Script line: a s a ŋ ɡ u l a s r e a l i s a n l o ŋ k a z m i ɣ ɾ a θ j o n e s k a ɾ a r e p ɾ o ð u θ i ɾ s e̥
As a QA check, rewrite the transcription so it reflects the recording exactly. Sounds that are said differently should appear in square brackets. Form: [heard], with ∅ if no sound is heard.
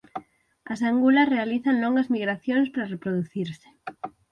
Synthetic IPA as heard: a s a ŋ ɡ u l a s r e a l i [θ] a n l o ŋ [ɡ] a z m i ɣ ɾ a θ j o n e s [p] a ɾ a r e p ɾ o ð u θ i ɾ s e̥

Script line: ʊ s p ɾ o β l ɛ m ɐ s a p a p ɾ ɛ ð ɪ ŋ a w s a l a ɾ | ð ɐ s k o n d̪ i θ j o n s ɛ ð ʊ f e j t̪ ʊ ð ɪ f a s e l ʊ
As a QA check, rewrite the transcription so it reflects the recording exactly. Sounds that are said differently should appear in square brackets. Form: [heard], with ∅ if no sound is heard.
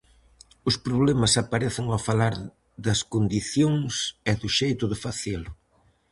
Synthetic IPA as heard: ʊ s p ɾ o β l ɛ m ɐ s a p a [∅] ɾ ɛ [θ] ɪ ŋ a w [f] a l a ɾ | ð ɐ s k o n d̪ i θ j o [ŋ] s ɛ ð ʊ [ʃ] e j t̪ ʊ ð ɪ f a [θ] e l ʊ

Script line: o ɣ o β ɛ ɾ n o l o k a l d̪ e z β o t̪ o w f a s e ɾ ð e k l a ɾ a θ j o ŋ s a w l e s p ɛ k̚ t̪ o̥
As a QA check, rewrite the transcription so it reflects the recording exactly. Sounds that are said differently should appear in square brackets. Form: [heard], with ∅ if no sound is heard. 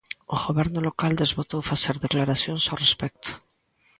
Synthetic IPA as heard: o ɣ o β ɛ ɾ n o l o k a l d̪ e z β o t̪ o w f a s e ɾ ð e k l a ɾ a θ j o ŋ s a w [r] e s p ɛ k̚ t̪ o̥

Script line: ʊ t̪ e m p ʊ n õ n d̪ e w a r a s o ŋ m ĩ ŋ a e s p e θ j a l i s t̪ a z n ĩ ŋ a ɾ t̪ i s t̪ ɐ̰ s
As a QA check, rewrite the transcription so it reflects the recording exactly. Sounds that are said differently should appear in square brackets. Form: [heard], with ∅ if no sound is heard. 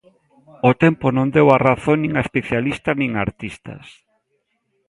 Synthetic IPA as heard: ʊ t̪ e m p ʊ n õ n d̪ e w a r a [θ] o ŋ [n] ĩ ŋ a e s p e θ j a l i s t̪ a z n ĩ ŋ a ɾ t̪ i s t̪ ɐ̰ s

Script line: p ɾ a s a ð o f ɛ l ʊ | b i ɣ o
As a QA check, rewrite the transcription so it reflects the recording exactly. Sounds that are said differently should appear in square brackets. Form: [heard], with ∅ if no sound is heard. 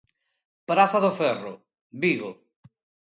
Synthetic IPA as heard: p ɾ a [θ] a ð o f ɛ [r] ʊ | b i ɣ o

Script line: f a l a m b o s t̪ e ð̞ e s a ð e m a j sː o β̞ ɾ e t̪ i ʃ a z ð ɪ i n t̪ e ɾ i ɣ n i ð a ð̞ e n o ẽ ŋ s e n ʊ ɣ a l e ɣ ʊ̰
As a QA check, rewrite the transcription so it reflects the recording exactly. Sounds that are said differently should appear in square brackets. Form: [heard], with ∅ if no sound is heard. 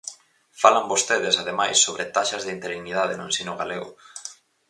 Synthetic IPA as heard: f a l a m b o s t̪ e ð̞ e s a ð e m a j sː o β̞ ɾ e t̪ [a] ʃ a z ð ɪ i n t̪ e ɾ i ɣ n i ð a ð̞ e n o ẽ [n] s [i] n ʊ ɣ a l e ɣ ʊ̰

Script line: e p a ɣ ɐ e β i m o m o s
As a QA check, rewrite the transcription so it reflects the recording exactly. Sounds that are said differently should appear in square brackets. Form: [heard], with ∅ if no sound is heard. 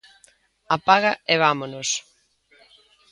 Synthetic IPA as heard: [a] p a ɣ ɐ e β [a] m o [n] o s

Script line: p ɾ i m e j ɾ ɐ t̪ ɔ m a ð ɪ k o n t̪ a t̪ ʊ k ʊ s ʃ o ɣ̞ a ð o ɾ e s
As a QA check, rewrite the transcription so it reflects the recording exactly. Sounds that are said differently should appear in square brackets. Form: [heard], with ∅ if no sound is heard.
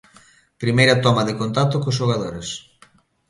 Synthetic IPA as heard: p ɾ i m e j ɾ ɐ t̪ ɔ m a ð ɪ k o n t̪ a t̪ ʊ k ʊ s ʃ o ɣ̞ a ð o ɾ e s

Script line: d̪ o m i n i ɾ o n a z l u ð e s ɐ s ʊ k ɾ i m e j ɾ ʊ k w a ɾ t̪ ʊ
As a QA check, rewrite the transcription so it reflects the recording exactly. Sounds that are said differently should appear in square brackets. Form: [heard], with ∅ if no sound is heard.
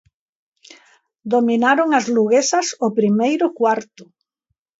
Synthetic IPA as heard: d̪ o m i n [a] ɾ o [ŋ] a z l u [ɣ] e s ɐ s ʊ [p] ɾ i m e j ɾ ʊ k w a ɾ t̪ ʊ

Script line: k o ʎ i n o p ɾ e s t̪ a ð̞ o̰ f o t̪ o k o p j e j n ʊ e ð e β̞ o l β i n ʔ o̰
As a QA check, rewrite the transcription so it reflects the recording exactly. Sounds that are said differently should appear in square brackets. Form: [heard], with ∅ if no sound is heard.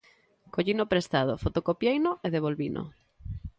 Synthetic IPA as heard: k o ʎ i n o p ɾ e s t̪ a ð̞ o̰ f o t̪ o k o p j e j n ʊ e ð e β̞ o l β i n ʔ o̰

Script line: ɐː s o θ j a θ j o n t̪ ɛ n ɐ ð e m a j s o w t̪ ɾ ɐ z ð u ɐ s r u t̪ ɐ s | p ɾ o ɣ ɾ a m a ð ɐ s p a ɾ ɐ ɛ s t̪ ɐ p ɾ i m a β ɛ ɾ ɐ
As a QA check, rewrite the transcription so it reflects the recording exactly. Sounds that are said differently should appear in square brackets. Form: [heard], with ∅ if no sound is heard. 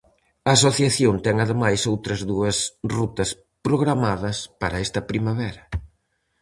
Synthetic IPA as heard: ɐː s o θ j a θ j o n t̪ ɛ [ŋ] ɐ ð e m a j s o w t̪ ɾ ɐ z ð u ɐ s r u t̪ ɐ s | p ɾ o ɣ ɾ a m a ð ɐ s p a ɾ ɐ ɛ s t̪ ɐ p ɾ i m a β ɛ ɾ ɐ

